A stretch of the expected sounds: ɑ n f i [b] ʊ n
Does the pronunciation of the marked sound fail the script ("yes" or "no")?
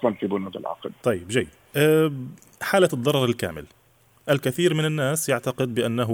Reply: no